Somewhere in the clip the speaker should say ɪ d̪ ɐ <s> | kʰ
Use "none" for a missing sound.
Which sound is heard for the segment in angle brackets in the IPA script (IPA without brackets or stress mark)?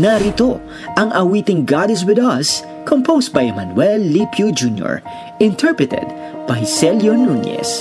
s